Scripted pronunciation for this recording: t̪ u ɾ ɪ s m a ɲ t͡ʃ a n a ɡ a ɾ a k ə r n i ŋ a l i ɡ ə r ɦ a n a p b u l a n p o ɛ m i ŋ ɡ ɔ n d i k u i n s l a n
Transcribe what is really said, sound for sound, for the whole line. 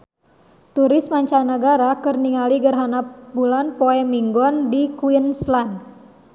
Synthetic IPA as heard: t̪ u ɾ ɪ s m a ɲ t͡ʃ a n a ɡ a ɾ a k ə r n i ŋ a l i ɡ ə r ɦ a n a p b u l a n p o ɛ m i ŋ ɡ ɔ n d i k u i n s l a n